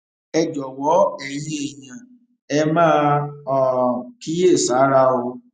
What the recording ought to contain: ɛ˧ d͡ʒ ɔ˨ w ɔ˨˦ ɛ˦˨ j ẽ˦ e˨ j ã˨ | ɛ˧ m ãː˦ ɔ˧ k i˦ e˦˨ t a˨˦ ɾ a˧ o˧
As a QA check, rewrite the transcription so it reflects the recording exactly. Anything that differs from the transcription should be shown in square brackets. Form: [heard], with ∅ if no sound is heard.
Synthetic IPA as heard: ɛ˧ d͡ʒ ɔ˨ w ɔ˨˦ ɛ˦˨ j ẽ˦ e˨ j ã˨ | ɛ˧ m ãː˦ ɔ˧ k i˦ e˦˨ [s] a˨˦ ɾ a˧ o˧